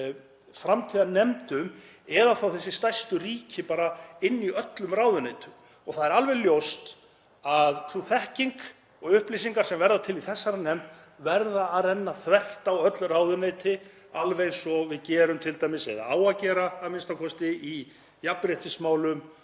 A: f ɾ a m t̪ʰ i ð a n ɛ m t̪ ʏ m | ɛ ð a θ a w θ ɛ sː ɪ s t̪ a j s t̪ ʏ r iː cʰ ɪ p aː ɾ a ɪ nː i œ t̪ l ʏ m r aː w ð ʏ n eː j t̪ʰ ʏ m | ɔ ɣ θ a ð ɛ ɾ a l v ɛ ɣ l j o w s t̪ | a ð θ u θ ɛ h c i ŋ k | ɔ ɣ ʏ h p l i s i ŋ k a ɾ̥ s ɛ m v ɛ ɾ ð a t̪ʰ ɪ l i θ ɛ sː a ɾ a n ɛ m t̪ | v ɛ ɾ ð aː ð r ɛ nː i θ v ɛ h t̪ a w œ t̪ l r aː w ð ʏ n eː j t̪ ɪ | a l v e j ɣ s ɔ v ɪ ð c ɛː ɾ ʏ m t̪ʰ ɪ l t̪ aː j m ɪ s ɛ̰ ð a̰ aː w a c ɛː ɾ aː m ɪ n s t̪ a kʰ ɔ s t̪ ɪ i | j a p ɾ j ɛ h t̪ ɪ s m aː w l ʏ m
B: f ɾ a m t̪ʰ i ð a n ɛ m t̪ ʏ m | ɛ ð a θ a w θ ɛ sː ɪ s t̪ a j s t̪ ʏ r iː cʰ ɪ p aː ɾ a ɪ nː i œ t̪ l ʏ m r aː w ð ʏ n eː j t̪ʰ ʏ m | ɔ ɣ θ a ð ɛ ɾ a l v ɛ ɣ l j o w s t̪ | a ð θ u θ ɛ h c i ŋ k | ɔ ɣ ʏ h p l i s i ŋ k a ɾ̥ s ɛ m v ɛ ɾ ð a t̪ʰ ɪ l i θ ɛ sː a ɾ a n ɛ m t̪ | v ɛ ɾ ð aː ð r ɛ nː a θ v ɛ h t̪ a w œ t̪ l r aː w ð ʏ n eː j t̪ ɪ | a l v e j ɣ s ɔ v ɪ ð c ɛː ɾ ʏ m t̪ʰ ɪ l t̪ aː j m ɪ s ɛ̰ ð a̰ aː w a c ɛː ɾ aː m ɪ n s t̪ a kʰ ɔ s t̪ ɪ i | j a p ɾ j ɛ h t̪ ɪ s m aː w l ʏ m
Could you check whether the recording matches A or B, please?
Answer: B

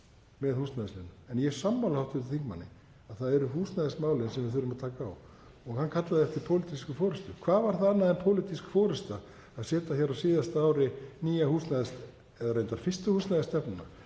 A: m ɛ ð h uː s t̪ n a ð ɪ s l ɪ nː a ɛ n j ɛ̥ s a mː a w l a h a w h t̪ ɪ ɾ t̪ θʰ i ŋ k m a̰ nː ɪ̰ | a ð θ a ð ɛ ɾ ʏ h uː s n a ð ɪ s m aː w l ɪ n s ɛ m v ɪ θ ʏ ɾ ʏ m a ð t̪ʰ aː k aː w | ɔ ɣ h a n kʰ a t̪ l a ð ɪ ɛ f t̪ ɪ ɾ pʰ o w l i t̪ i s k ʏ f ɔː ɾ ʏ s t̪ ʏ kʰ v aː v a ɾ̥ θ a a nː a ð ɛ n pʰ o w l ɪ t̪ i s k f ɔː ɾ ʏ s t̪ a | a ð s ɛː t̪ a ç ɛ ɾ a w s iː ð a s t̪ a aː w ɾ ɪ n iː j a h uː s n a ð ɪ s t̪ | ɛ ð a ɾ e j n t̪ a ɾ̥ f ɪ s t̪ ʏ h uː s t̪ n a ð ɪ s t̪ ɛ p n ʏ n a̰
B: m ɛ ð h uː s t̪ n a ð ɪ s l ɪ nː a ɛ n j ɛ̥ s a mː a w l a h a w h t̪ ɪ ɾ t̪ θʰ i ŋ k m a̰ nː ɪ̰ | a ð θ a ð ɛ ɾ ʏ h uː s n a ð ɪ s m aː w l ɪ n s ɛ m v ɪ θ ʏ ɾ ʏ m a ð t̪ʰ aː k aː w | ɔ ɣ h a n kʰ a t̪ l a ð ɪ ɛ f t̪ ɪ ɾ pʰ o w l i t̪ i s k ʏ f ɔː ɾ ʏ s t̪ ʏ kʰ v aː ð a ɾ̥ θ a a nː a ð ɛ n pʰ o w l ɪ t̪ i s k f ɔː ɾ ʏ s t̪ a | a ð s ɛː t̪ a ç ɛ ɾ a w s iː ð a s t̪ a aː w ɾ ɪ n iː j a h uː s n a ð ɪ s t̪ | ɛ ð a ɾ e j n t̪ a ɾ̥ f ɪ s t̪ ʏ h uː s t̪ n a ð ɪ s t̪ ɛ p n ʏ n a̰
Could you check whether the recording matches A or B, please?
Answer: A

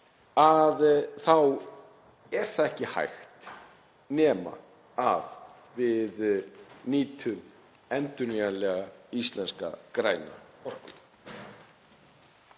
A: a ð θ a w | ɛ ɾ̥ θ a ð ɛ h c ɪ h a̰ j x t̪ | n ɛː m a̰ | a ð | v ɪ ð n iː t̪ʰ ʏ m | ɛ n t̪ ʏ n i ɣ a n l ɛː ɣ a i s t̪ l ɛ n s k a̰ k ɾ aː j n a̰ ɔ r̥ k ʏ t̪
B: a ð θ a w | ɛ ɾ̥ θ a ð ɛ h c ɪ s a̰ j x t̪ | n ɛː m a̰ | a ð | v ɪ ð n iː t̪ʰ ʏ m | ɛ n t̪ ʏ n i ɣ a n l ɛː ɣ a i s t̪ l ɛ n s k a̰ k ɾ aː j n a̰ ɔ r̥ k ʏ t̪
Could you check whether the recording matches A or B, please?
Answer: A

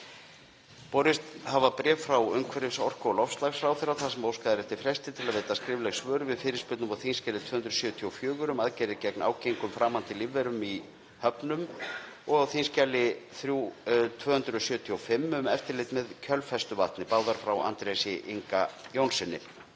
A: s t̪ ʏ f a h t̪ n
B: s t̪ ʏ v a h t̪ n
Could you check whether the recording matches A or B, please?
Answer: B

